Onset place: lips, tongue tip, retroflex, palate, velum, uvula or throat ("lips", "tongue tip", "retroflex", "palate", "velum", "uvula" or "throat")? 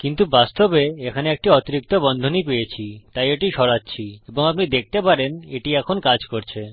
velum